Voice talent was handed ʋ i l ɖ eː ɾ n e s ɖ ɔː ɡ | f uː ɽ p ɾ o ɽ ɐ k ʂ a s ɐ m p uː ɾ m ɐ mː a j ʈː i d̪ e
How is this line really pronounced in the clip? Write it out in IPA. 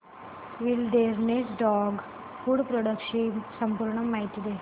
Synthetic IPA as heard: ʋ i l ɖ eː ɾ n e s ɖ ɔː ɡ | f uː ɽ p ɾ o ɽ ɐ k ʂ i s ɐ m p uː ɾ ɳ ɐ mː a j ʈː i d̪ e